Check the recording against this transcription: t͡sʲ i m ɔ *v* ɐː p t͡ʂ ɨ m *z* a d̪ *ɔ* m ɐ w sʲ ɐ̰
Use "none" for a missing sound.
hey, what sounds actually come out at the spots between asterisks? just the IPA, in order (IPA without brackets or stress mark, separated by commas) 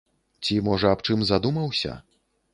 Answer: ʐ, z, u